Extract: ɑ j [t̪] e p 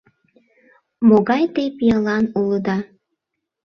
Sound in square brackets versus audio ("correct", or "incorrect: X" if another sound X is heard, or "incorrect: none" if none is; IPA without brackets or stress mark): correct